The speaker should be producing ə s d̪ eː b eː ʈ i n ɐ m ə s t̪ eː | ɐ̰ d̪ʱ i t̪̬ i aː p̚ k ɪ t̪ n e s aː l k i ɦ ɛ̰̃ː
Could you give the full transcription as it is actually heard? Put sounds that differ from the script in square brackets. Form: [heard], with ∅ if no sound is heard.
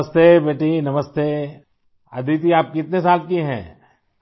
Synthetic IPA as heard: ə s [t̪] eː b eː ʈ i n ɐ m ə s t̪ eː | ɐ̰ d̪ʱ i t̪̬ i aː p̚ k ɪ t̪ n e s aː l k i ɦ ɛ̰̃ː